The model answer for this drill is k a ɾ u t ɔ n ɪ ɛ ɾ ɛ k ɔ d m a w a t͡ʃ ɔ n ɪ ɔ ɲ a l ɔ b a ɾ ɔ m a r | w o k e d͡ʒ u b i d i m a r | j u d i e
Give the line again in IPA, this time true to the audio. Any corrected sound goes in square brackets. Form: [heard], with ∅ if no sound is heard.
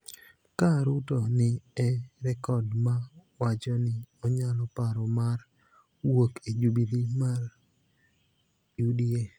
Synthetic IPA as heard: k a ɾ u t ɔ n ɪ ɛ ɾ ɛ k ɔ d m a w a t͡ʃ ɔ n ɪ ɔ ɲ a l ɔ [p] a ɾ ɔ m a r | w o k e d͡ʒ u b i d i m a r | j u d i e

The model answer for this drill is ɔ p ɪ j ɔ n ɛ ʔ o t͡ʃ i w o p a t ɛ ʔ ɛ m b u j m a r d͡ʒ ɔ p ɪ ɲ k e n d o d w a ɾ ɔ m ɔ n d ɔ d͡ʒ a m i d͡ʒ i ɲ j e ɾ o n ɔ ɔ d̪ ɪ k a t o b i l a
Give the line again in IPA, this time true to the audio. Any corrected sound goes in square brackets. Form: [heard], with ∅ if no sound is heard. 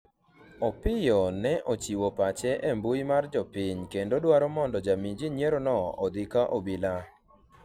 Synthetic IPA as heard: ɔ p ɪ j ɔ n ɛ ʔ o t͡ʃ i w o p a [t͡ʃ] ɛ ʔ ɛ m b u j m a r d͡ʒ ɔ p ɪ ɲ k e n d o d w a ɾ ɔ m ɔ n d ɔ d͡ʒ a m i d͡ʒ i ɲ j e ɾ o n ɔ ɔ d̪ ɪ k a [ʔ] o b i l a

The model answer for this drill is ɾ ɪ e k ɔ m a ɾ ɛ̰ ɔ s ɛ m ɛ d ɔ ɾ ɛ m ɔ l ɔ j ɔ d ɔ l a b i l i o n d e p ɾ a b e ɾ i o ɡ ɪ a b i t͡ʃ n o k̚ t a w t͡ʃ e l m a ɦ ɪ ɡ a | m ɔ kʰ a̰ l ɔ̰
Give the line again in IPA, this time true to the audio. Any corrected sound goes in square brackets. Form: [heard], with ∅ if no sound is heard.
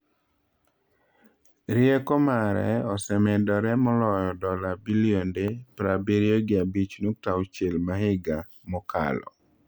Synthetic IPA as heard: ɾ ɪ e k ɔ m a ɾ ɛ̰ ɔ s ɛ m ɛ d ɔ ɾ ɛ m ɔ l ɔ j ɔ d ɔ l a b i l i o n d e p ɾ a b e ɾ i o ɡ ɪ a b i t͡ʃ n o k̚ t a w t͡ʃ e l m a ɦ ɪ ɡ a | m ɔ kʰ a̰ l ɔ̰

